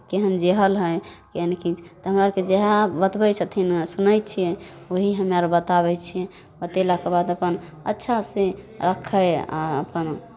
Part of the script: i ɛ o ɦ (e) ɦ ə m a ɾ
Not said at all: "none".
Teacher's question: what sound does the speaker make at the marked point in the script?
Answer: i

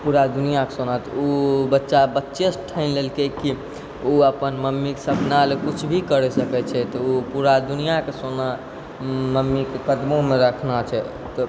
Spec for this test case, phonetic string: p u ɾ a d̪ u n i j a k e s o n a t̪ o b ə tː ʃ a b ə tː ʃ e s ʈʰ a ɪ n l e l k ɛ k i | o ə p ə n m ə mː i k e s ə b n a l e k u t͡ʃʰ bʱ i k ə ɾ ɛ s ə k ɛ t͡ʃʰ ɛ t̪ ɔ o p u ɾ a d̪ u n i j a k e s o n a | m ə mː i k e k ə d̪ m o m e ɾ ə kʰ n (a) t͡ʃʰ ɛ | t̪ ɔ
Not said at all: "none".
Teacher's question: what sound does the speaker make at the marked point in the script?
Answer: a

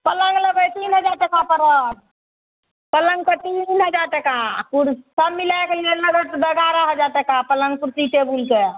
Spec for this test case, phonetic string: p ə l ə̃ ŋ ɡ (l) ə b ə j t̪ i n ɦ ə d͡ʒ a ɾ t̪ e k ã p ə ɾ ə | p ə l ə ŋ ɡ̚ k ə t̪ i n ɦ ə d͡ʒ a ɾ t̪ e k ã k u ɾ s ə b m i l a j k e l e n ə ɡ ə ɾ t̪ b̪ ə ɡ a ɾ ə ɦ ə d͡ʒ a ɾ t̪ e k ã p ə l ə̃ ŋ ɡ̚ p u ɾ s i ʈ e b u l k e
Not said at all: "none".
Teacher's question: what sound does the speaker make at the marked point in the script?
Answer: l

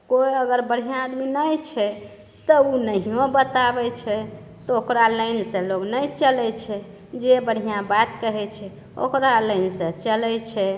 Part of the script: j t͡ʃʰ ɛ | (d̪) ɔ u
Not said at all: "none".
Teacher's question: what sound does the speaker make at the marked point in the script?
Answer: t̪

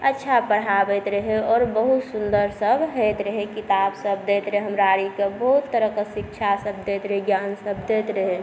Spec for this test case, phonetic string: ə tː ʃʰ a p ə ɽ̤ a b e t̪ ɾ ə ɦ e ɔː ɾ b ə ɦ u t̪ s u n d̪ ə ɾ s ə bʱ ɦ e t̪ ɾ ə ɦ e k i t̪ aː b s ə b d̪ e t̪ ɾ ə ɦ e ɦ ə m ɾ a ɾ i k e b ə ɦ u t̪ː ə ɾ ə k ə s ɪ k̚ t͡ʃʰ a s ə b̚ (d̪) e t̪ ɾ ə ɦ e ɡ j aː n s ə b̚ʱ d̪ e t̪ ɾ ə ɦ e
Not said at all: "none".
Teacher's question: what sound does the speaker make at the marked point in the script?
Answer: d̪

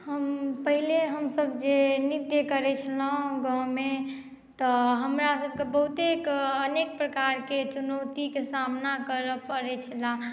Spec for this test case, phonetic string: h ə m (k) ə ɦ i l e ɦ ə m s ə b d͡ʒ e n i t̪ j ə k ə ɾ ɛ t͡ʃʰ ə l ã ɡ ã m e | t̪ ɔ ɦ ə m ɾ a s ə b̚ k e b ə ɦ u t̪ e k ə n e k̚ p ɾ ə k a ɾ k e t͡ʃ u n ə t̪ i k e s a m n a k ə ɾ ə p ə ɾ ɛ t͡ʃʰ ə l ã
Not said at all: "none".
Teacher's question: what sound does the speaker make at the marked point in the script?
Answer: p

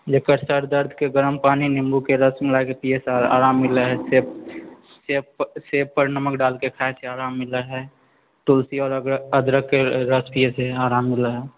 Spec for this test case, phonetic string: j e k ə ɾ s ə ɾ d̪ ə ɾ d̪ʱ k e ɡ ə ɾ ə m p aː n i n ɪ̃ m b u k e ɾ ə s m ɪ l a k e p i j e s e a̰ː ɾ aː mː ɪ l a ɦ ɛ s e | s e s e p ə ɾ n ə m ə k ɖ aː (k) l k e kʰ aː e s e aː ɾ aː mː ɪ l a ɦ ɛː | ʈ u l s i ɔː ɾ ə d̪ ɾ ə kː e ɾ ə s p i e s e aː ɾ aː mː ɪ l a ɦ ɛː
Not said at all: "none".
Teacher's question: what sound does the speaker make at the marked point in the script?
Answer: none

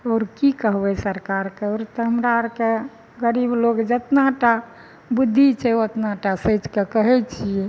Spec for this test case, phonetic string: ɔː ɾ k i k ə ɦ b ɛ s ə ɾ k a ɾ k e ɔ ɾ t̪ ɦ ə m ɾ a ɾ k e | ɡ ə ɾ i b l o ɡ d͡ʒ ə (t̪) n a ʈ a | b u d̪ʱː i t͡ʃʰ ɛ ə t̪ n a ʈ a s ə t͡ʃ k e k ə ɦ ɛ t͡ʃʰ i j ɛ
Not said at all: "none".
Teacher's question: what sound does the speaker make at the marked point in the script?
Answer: t̪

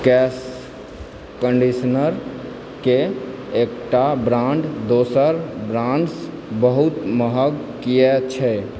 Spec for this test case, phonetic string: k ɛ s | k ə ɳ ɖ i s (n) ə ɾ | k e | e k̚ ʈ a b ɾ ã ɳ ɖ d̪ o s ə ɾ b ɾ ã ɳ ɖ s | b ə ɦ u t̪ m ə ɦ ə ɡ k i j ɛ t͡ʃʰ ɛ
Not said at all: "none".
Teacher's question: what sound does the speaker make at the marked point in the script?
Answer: n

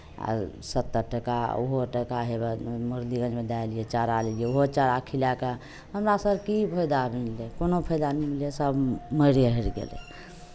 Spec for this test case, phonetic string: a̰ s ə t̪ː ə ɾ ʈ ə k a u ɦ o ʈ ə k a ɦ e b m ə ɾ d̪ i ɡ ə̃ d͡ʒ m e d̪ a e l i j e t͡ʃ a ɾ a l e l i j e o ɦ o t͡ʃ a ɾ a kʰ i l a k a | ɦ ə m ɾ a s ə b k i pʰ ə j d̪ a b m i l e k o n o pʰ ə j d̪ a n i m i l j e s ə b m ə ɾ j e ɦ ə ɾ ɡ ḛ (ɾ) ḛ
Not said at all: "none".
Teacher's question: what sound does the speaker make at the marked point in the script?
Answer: l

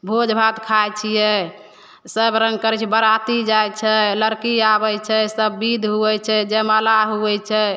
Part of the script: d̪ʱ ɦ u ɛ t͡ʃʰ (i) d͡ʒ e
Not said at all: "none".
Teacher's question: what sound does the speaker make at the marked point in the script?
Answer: ɛ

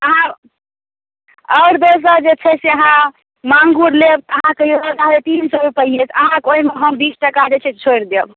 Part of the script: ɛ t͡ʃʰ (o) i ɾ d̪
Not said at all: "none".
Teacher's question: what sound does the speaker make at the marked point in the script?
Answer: o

